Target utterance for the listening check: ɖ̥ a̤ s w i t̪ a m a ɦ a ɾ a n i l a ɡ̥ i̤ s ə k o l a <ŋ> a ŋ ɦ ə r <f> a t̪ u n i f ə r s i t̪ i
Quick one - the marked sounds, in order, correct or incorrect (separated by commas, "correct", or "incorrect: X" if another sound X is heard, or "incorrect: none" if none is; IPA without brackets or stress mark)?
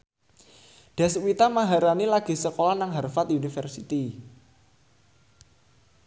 incorrect: n, correct